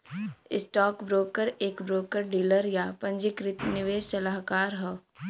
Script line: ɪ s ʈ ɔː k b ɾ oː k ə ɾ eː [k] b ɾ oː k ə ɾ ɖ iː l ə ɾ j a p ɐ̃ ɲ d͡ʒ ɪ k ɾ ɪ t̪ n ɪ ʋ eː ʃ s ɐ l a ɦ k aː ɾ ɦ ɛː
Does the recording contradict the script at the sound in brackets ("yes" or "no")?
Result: no